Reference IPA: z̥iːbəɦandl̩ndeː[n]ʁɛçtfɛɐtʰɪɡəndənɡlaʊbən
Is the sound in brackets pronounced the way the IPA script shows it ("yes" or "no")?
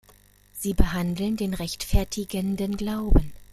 yes